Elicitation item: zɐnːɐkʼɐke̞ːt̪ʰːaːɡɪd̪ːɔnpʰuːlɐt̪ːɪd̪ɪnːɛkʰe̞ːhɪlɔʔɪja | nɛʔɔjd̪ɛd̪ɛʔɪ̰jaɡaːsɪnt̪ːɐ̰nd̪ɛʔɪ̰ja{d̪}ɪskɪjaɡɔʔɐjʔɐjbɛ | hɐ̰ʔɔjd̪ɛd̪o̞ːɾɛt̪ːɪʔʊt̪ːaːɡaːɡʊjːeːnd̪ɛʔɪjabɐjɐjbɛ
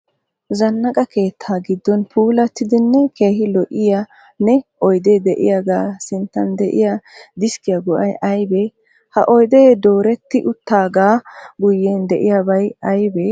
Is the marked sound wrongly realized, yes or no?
no